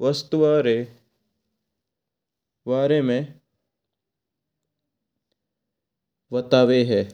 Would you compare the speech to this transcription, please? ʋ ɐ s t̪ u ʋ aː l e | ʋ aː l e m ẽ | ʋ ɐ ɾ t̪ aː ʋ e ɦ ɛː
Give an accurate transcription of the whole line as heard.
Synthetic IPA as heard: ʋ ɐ s t̪ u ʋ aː ɾ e | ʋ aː ɾ e m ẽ | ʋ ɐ t̪ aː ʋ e ɦ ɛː